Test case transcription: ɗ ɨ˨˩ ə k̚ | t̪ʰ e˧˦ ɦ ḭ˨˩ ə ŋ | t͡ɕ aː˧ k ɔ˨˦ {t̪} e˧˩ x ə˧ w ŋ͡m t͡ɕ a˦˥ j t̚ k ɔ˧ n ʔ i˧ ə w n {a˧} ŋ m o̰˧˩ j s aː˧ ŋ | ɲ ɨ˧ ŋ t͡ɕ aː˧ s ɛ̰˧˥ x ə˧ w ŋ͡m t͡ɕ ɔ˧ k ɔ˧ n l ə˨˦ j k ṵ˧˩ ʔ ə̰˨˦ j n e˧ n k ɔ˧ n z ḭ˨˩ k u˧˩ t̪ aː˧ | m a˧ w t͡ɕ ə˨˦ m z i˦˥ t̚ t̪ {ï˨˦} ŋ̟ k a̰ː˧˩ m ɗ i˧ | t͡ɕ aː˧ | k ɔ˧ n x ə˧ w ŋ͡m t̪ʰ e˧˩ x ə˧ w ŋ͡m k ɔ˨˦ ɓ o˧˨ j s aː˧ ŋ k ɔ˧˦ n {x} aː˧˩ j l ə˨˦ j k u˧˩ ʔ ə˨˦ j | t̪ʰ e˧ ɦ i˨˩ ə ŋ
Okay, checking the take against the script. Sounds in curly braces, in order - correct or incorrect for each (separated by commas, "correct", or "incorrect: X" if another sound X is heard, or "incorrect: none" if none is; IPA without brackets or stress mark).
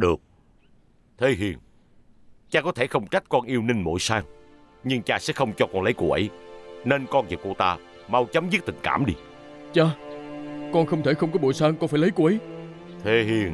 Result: incorrect: t̪ʰ, incorrect: i˧, incorrect: ï˨˩, incorrect: f